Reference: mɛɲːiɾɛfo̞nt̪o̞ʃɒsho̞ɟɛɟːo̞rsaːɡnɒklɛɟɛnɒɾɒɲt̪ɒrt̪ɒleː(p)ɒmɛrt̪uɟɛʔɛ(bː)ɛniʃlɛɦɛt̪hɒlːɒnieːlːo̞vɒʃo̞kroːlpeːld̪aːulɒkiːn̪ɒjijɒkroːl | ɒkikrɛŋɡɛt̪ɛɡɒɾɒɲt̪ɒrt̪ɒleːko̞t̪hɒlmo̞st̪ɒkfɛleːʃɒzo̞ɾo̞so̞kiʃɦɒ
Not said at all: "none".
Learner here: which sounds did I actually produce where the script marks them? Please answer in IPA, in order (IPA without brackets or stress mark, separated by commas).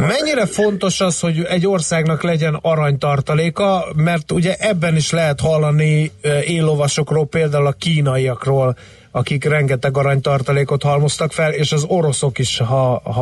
k, bː